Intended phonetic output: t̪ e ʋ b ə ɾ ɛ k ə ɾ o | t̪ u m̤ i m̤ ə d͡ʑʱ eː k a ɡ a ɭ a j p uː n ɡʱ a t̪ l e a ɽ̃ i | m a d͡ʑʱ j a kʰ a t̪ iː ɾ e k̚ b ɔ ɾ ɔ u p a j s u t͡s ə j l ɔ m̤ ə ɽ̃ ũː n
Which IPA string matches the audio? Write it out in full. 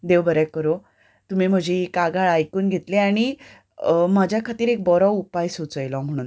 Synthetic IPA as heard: d̪ e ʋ b ə ɾ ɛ k ə ɾ o | t̪ u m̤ i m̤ ə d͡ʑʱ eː k a ɡ a ɭ a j k uː n ɡʱ e t̪ l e a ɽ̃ i | m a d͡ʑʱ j a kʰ a t̪ iː ɾ e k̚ b ɔ ɾ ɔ u p a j s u t͡s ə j l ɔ m̤ ə ɽ̃ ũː n